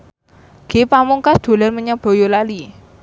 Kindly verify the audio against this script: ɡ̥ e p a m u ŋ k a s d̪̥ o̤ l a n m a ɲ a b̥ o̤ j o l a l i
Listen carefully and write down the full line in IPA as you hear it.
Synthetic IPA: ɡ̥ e p a m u ŋ k a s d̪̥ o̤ l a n m ə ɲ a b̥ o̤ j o l a l i